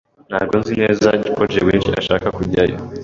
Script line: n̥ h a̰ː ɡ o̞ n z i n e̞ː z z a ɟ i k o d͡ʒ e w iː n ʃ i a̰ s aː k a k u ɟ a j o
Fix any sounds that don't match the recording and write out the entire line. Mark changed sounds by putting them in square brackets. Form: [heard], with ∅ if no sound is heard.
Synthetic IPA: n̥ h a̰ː ɡ o̞ n z i n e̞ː z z a ɟ i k o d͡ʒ e w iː n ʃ i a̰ [ʃ] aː k a k u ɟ a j o